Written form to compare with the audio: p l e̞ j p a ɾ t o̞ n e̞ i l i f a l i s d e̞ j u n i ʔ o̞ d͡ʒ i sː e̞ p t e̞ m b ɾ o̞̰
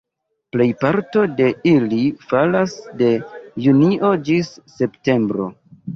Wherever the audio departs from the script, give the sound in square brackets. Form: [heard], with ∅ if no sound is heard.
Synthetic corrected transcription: p l e̞ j p a ɾ t o̞ [d] e̞ i l i f a l [a] s d e̞ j u n i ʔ o̞ d͡ʒ i sː e̞ p t e̞ m b ɾ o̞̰